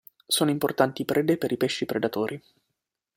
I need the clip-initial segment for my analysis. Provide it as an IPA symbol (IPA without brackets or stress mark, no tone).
s